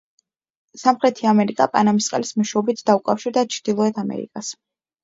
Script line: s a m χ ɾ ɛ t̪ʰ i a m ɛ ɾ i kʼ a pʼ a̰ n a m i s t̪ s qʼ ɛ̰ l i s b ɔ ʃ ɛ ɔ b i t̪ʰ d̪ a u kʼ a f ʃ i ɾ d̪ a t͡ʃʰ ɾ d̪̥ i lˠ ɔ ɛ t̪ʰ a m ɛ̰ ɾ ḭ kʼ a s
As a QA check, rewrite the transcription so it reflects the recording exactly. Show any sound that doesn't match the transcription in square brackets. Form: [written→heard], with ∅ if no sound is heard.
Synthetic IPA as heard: s a m χ ɾ ɛ t̪ʰ i a m ɛ ɾ i kʼ a pʼ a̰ n a m i s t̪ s qʼ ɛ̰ l i s [b→m] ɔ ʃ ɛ ɔ b i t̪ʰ d̪ a u kʼ a f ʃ i ɾ d̪ a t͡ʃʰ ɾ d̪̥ i lˠ ɔ ɛ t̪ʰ a m ɛ̰ ɾ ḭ kʼ a s